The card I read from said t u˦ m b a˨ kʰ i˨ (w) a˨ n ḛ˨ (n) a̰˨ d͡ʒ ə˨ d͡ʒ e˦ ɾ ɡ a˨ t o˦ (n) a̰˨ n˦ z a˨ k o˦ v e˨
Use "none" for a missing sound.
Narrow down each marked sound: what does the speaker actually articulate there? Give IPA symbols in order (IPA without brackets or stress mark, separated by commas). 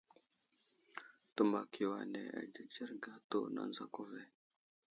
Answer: w, none, n